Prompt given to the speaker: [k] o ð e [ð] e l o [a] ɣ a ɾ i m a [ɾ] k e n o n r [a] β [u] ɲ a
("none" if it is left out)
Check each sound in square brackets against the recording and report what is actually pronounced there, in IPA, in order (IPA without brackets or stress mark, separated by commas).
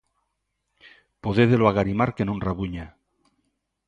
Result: p, ð, a, ɾ, a, u